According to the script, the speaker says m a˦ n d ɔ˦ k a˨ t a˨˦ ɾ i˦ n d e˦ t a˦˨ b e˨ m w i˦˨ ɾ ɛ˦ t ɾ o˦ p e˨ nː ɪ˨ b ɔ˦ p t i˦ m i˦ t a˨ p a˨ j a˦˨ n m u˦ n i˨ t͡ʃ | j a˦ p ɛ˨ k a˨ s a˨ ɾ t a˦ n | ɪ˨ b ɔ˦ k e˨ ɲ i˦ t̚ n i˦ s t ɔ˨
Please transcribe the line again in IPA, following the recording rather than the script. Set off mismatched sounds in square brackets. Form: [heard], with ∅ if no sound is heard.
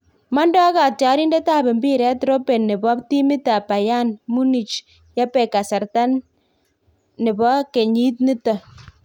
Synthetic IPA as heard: m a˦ n d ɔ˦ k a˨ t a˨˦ ɾ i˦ n d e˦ t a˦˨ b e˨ m [b] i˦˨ ɾ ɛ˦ t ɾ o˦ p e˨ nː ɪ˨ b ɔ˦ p t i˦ m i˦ t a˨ p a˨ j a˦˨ n m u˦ n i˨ t͡ʃ | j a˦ p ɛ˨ k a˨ s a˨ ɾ t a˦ n | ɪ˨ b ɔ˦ k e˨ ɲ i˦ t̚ n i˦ [∅] t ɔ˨